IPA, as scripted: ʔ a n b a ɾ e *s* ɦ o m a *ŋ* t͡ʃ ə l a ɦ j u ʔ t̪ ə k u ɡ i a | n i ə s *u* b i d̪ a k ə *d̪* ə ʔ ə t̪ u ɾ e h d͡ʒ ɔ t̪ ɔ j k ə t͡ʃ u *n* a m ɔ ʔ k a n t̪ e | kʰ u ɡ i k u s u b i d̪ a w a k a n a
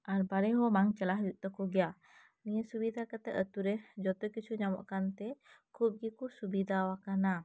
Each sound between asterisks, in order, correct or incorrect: incorrect: none, correct, correct, incorrect: t̪, incorrect: ɲ

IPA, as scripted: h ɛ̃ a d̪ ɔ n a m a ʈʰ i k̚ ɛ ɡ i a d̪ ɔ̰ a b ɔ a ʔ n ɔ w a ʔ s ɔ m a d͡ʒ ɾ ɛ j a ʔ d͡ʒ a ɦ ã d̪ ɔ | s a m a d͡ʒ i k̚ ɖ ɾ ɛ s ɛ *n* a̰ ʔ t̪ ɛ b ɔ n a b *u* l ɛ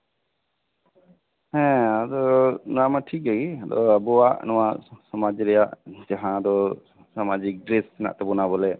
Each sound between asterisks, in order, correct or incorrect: correct, incorrect: ɔ

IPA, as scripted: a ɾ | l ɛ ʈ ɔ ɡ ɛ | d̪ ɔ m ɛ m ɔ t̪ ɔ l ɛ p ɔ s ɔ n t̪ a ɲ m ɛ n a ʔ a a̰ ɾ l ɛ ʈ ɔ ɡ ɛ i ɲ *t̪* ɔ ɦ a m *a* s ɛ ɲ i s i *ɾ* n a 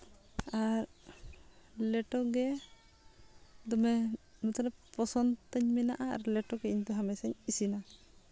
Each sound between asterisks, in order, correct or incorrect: correct, incorrect: ɛ, incorrect: none

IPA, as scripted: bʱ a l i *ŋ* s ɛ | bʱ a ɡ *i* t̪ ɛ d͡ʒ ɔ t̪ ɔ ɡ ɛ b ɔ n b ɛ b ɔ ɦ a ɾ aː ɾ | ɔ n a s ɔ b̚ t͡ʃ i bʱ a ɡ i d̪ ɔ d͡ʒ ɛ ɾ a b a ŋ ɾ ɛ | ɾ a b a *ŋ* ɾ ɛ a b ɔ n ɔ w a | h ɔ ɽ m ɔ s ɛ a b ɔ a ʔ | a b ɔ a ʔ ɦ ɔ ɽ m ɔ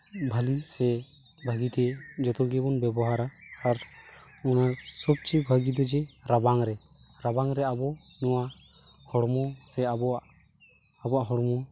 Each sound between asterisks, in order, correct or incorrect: incorrect: none, correct, correct

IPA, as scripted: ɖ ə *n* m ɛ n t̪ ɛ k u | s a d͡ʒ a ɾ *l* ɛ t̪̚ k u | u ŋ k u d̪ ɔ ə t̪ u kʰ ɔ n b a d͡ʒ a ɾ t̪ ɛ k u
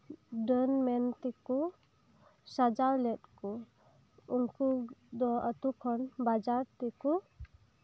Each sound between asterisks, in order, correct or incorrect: correct, correct

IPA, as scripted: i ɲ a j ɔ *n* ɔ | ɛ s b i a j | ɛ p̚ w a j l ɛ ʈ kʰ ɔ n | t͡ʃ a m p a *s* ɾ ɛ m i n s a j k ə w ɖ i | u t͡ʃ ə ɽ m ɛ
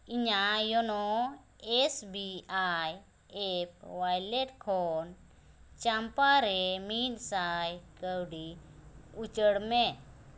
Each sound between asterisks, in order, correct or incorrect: correct, incorrect: none

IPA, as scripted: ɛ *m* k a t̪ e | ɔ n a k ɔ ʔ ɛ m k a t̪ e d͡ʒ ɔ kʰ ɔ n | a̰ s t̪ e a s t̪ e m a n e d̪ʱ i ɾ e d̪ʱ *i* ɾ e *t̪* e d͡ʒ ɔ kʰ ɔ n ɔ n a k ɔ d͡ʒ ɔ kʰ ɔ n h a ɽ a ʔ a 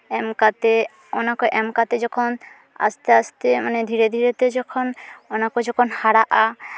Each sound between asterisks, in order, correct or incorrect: correct, correct, correct

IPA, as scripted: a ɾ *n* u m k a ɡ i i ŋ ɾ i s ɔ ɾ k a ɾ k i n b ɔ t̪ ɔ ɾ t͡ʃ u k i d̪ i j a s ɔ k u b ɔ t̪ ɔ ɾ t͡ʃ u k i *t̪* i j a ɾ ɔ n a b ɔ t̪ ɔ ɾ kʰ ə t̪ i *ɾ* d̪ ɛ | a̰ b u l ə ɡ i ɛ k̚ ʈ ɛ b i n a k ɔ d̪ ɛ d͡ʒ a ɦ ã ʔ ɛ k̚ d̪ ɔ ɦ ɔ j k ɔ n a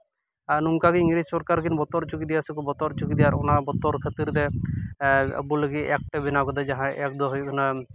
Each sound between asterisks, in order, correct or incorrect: correct, incorrect: d̪, correct

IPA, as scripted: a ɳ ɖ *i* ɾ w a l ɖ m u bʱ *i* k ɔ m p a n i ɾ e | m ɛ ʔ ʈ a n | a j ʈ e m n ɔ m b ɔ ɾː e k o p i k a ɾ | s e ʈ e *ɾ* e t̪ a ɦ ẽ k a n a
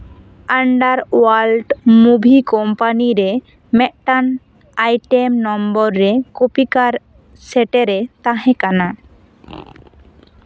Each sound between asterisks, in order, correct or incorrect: incorrect: a, correct, correct

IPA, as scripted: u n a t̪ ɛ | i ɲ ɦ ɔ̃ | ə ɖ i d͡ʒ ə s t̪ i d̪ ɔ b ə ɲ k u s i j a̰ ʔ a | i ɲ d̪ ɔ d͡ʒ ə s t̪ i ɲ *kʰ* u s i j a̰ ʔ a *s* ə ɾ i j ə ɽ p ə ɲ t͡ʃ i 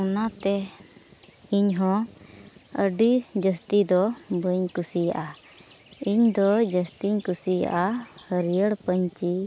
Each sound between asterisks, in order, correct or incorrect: incorrect: k, incorrect: h

